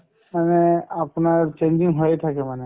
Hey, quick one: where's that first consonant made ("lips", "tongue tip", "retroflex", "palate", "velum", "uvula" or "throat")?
lips